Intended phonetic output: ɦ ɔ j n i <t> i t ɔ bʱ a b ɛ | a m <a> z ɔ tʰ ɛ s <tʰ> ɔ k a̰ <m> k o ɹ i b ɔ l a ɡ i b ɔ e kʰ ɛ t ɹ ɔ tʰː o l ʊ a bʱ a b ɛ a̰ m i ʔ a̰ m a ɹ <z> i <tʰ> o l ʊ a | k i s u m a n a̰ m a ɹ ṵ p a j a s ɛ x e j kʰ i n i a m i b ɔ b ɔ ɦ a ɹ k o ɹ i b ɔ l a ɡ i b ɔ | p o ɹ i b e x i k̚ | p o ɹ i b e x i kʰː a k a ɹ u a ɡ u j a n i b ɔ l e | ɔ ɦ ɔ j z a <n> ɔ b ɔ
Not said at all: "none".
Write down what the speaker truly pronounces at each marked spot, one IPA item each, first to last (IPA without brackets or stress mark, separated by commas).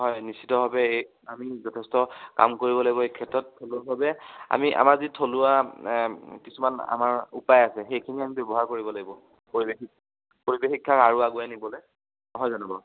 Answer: s, i, t, m, z, tʰ, n